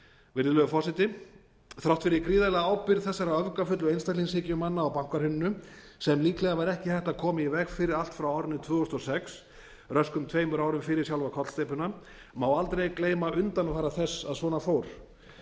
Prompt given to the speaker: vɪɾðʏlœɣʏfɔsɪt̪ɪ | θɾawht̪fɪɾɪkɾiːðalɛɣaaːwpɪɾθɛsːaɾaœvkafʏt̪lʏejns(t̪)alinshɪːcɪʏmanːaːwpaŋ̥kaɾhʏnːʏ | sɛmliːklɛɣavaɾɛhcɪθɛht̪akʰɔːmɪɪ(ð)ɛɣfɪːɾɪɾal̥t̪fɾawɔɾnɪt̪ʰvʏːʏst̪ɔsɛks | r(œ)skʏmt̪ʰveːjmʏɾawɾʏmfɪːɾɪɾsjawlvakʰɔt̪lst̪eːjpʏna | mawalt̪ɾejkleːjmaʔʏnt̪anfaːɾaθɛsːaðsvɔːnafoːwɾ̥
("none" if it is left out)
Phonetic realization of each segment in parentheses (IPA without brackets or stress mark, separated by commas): t̪, v, œ